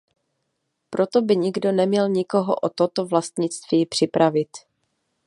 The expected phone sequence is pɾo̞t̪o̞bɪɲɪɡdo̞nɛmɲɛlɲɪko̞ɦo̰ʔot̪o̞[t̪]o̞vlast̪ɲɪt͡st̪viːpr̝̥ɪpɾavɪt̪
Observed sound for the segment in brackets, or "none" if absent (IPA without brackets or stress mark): t̪